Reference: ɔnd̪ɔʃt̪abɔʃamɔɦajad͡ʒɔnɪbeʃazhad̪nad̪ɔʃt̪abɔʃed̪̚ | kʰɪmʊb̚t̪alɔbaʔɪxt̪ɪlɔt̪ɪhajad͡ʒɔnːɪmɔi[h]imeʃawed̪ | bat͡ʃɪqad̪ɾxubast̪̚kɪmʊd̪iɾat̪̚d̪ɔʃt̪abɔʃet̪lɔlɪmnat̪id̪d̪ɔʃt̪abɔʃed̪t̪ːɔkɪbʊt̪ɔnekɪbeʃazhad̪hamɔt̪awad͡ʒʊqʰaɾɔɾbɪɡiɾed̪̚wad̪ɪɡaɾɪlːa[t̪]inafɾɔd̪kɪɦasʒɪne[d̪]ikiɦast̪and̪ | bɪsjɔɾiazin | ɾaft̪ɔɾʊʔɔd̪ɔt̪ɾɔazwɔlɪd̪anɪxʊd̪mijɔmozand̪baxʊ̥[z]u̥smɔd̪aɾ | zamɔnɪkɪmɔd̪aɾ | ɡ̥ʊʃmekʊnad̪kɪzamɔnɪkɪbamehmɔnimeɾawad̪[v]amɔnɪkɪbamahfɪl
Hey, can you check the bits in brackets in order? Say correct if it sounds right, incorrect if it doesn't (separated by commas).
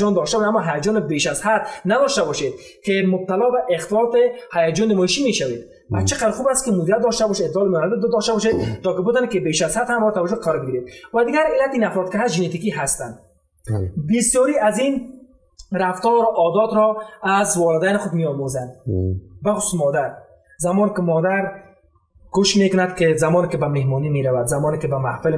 incorrect, correct, incorrect, incorrect, incorrect